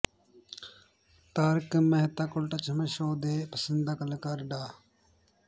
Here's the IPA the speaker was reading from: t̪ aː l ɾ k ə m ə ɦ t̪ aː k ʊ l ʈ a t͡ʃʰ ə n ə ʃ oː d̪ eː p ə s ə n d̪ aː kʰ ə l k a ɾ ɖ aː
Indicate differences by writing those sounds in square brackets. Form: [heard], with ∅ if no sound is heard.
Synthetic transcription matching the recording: t̪ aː [∅] ɾ k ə m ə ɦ t̪ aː k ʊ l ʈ a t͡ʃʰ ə [m] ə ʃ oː d̪ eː p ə s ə n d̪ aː [k] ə l k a ɾ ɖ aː